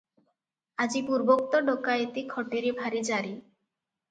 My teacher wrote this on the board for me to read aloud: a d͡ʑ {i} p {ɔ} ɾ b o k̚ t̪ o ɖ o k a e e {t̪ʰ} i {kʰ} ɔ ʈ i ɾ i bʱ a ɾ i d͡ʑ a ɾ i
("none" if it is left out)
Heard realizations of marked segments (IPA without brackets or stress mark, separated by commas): i, u, t̪, kʰ